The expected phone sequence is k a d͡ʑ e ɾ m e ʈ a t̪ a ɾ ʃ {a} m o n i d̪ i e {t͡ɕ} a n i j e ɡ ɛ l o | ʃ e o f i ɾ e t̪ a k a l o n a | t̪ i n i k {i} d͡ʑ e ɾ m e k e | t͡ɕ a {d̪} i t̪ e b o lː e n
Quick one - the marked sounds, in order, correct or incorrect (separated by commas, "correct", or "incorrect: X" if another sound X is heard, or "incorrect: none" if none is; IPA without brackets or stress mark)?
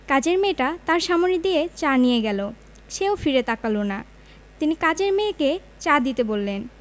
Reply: correct, correct, incorrect: a, correct